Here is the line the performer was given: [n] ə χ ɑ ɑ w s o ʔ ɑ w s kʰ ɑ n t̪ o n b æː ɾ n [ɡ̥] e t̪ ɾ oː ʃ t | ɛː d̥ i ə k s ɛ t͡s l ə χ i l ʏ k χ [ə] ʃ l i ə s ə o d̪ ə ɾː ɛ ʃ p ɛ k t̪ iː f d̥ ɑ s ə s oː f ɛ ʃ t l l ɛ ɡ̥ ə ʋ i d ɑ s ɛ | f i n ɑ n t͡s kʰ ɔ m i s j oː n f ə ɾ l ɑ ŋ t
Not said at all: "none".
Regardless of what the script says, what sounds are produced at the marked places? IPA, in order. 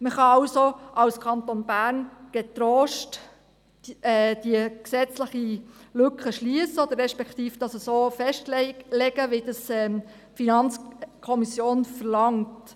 m, ɡ̥, ə

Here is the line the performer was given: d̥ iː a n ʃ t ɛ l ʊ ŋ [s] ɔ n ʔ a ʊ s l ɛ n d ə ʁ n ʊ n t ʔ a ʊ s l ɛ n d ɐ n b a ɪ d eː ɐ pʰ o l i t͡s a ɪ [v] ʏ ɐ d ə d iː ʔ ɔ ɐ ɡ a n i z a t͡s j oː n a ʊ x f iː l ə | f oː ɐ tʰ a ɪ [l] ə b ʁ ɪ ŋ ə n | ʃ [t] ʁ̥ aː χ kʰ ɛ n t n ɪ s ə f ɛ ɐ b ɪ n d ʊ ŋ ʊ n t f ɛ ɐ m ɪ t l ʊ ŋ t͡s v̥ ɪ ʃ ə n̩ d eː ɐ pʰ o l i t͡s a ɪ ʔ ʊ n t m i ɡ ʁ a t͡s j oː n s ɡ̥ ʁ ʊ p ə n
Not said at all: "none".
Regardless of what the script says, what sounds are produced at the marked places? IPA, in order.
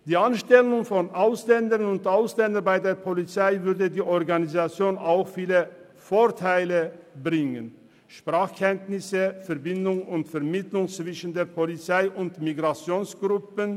f, v, l, p

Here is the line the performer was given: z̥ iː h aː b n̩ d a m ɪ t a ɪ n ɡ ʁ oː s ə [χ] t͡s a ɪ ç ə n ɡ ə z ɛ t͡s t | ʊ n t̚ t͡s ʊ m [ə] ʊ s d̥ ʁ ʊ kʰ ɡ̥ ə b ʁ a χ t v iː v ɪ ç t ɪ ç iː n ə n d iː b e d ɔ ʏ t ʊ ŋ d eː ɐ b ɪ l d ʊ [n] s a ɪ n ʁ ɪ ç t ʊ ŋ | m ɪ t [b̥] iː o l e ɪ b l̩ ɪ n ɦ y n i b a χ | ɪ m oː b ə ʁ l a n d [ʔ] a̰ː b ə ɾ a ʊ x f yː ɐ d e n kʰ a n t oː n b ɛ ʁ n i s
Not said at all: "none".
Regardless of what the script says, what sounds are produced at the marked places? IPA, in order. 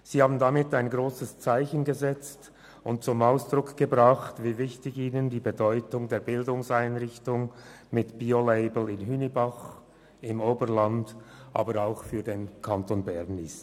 s, a, ŋ, b̥, ʔ

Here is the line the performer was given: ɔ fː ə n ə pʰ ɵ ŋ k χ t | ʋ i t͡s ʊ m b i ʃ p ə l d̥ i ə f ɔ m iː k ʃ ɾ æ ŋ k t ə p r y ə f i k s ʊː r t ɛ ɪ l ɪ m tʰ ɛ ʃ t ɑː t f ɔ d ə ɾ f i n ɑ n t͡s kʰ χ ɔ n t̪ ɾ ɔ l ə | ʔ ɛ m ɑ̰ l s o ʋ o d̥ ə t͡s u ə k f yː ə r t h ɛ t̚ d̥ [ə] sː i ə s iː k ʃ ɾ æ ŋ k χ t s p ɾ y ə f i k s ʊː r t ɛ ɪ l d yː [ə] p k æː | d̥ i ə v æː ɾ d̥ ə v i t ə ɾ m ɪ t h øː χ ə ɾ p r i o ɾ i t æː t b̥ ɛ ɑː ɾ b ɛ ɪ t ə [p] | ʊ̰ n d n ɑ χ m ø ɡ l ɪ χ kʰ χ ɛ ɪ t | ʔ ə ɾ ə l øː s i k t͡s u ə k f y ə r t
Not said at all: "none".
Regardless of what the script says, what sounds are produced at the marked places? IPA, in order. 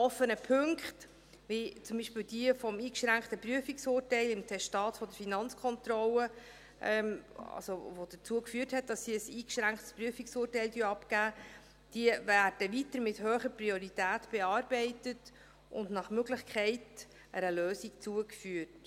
ɑ, ɑ, t

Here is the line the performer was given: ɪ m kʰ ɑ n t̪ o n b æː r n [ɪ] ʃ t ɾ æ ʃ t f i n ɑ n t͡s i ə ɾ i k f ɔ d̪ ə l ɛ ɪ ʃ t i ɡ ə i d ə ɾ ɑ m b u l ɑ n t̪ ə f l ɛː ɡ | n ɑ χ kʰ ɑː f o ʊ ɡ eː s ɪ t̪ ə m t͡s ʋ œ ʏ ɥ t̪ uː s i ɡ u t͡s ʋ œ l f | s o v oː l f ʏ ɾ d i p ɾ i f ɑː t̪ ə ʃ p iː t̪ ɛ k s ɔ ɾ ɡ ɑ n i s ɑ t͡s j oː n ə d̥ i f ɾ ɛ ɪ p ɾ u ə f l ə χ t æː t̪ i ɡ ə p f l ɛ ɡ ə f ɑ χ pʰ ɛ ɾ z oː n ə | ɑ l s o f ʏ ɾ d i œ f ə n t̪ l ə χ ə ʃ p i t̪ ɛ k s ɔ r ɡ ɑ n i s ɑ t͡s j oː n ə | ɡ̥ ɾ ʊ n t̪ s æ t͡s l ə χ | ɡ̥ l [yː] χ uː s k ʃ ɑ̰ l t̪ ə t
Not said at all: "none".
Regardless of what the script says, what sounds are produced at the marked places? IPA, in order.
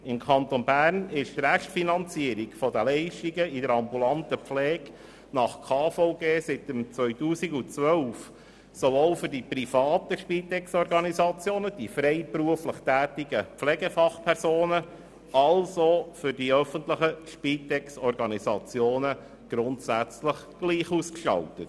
ɪ, iː

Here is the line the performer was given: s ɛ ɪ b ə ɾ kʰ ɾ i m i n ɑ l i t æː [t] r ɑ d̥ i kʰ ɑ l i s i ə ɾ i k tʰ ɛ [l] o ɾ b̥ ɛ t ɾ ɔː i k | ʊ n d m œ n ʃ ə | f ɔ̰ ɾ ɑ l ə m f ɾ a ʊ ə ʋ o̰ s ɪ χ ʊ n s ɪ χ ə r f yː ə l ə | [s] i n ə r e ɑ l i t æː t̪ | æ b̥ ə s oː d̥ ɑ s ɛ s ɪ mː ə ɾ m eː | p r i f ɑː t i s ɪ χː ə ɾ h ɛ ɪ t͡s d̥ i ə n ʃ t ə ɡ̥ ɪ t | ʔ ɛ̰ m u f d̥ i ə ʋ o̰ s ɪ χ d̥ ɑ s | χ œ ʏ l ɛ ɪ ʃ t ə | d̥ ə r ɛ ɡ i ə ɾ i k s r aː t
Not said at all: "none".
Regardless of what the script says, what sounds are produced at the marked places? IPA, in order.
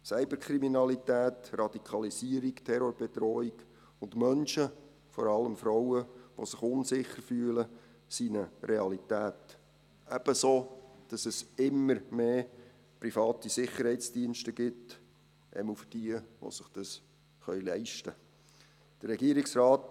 t, ɾ, s

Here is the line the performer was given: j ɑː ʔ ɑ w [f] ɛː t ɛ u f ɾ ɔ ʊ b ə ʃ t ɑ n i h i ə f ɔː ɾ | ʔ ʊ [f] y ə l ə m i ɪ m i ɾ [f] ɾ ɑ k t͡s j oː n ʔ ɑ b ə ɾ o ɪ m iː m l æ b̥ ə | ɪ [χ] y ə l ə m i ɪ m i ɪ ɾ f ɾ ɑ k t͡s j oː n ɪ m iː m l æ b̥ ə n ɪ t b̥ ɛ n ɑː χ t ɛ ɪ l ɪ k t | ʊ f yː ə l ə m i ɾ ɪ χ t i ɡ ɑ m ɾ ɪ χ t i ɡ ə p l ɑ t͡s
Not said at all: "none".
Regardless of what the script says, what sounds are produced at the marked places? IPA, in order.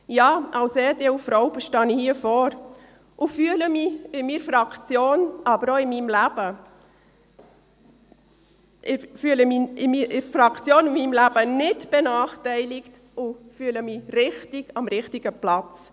s, f, f, f

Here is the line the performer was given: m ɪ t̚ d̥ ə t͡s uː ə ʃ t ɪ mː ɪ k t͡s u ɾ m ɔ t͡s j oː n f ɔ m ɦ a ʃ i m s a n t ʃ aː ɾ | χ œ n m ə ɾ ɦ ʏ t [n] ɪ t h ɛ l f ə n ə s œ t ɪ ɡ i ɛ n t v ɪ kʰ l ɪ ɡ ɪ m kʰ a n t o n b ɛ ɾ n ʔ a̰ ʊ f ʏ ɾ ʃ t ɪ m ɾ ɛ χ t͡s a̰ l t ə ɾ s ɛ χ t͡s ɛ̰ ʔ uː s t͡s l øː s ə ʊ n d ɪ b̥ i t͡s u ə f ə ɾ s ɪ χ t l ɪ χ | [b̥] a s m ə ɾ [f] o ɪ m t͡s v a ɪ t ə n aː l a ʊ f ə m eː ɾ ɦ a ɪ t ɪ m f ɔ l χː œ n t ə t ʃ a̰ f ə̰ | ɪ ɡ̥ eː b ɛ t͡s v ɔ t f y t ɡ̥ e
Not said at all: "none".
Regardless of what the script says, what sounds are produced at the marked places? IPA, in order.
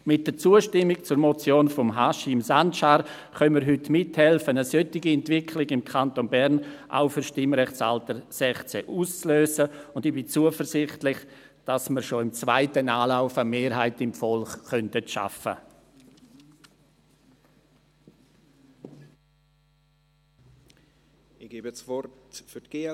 m, d̥, ʃ

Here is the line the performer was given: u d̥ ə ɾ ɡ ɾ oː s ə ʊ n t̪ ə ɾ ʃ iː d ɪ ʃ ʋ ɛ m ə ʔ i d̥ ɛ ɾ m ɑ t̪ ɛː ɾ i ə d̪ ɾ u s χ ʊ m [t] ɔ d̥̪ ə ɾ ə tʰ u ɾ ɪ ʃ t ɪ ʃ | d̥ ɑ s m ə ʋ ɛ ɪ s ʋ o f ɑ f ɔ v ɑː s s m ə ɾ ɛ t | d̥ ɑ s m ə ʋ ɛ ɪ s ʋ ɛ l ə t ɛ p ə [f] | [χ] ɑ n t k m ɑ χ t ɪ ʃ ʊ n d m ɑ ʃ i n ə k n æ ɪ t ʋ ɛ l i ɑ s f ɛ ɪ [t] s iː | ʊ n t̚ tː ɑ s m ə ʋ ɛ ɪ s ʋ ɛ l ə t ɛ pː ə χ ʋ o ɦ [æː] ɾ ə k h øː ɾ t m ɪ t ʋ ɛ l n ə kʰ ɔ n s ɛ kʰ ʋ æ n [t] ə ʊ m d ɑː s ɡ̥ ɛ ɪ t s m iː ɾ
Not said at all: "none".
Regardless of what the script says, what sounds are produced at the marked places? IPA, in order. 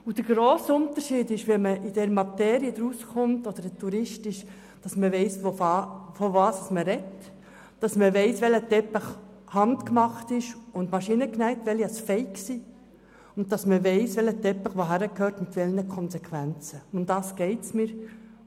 t, χ, h, k, æ, t͡s

